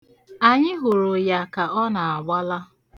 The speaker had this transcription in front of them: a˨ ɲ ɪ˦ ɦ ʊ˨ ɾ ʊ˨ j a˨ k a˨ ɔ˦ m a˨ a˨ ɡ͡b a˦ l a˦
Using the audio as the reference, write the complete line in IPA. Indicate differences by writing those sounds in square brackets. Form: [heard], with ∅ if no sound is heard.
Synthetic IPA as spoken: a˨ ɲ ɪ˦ ɦ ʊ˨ ɾ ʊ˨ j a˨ k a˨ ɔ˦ [n] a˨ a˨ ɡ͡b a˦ l a˦

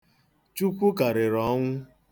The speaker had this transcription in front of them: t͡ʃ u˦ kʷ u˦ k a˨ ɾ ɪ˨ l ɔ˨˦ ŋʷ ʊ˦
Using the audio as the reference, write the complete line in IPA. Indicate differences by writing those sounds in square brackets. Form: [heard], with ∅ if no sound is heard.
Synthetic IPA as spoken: t͡ʃ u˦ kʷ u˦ k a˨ ɾ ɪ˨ [ɾ] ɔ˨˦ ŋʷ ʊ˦

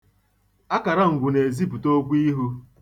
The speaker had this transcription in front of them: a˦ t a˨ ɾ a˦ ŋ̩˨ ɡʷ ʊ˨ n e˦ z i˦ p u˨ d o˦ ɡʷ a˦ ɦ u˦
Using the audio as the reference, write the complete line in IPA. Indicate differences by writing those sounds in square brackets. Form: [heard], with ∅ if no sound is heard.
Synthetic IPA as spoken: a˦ [k] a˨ ɾ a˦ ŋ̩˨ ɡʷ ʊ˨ n [e˨] z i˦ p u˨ [t] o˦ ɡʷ [i˦] ɦ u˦

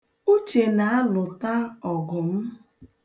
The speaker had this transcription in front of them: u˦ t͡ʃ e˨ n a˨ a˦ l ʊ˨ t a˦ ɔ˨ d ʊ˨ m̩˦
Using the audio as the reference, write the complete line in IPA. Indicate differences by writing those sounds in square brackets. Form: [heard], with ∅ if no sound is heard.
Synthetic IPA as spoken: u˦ t͡ʃ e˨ n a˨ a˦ l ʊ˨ t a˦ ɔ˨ [ɡ] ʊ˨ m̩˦

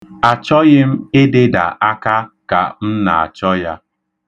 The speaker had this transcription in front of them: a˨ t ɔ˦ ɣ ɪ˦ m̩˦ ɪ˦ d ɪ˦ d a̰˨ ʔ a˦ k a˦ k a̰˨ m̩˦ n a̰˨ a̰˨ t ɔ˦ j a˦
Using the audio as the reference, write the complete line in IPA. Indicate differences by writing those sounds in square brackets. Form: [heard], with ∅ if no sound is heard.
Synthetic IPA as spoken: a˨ [t͡ʃ] ɔ˦ ɣ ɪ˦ m̩˦ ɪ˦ d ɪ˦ d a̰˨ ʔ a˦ k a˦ k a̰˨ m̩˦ n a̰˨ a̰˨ [t͡ʃ] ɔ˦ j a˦

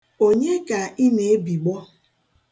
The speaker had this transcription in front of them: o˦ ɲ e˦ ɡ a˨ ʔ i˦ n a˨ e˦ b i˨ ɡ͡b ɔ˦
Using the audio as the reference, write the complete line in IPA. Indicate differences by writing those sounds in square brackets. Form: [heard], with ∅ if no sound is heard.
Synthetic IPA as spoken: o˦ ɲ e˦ [k] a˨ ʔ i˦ n [e˨] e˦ b i˨ ɡ͡b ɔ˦

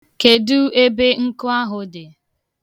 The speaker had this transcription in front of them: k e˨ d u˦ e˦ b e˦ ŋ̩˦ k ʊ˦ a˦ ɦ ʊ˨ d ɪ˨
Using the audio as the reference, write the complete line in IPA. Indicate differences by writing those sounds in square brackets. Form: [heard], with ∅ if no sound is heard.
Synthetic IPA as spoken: k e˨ d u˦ e˦ b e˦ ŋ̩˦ k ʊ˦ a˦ ɦ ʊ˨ d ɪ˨

